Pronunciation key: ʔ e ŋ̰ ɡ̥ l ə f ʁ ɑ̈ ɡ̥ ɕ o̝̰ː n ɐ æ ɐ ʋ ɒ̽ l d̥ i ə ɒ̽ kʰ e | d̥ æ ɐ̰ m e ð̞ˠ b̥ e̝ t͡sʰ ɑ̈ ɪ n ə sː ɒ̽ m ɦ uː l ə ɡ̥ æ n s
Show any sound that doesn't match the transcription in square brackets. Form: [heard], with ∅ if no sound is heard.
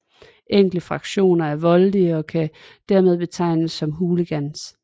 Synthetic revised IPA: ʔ e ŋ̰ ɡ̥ l ə f ʁ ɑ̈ ɡ̥ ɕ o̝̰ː n ɐ æ ɐ ʋ ɒ̽ l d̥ i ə ɒ̽ kʰ [æ] | d̥ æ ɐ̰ m e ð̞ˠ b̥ e̝ t͡sʰ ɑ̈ ɪ n ə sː ɒ̽ m ɦ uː l ə ɡ̥ æ n s